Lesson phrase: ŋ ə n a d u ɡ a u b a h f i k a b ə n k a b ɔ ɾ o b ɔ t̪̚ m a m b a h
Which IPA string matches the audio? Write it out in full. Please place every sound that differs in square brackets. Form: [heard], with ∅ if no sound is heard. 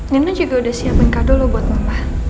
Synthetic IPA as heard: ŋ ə n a [d͡ʒ] u ɡ a u [d] a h [s] i [∅] a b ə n k a [d] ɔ [l] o b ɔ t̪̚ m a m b a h